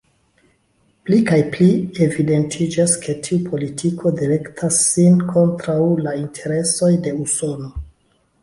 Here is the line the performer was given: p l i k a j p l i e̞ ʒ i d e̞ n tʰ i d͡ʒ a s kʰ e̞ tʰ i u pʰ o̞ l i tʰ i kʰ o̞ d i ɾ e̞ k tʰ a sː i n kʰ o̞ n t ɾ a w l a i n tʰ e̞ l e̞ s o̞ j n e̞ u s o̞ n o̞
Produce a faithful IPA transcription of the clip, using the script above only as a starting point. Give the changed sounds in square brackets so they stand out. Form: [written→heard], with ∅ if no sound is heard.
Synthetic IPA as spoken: p l i k a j p l i e̞ [ʒ→v] i d e̞ n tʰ i d͡ʒ a s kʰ e̞ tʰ i u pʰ o̞ l i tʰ i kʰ o̞ d i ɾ e̞ k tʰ a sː i n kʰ o̞ n t ɾ a w l a i n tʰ e̞ [l→ɾ] e̞ s o̞ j [n→d] e̞ u s o̞ n o̞